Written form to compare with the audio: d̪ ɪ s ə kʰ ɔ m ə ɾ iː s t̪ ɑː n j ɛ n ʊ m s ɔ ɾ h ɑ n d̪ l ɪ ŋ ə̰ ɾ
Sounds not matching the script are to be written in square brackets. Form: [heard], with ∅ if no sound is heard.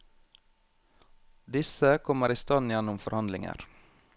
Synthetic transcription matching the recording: d̪ ɪ s ə kʰ ɔ m ə ɾ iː s t̪ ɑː n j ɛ n ʊ m [f] ɔ ɾ h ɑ n d̪ l ɪ ŋ ə̰ ɾ